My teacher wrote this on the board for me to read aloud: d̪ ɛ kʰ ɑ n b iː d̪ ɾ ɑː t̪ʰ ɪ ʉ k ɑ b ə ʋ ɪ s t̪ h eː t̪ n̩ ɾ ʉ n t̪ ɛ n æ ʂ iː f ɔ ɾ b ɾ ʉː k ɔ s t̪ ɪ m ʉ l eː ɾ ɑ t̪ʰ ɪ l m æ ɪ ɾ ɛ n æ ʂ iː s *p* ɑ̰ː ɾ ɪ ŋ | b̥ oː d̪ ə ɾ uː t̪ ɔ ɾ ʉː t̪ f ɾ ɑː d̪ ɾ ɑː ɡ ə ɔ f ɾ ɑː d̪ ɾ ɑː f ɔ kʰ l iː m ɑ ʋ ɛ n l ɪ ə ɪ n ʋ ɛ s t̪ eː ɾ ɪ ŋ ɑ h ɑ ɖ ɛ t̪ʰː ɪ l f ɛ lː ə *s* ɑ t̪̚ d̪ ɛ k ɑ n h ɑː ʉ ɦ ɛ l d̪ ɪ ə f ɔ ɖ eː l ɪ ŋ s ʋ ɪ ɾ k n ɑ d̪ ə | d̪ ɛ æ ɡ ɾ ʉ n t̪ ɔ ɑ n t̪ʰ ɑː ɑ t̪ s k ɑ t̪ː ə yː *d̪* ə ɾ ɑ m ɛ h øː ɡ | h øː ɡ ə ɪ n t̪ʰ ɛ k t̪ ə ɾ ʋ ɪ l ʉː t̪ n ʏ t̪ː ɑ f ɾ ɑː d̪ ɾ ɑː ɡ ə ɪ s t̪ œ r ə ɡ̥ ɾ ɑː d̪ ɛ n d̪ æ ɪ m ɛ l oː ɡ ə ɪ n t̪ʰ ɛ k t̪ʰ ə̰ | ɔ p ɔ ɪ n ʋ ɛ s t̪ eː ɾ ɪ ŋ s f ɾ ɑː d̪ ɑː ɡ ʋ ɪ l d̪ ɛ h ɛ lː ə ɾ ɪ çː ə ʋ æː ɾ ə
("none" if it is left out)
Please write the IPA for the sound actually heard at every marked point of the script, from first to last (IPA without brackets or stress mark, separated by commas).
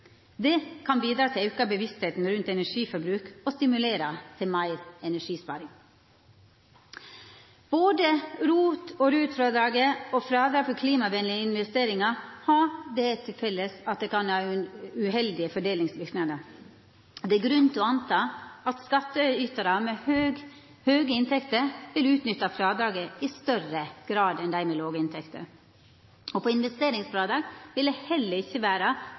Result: p, s, t̪